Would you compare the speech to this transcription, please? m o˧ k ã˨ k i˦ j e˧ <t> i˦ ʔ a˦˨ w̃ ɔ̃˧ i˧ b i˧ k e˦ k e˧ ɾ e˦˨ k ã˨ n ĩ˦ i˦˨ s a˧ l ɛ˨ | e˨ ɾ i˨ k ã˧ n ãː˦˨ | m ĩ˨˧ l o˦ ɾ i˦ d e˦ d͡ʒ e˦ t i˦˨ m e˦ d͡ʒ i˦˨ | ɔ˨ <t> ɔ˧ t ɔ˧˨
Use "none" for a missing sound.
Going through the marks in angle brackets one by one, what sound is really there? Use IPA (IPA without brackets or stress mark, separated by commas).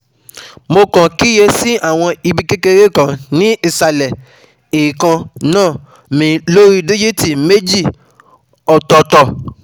s, t